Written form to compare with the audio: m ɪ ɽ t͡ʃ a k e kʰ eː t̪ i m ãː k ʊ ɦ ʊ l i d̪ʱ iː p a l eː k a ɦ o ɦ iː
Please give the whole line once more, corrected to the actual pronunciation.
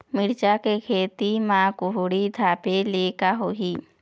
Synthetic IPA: m ɪ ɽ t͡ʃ a k e kʰ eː t̪ i m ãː k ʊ ɦ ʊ ɽ i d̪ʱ aː p e l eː k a ɦ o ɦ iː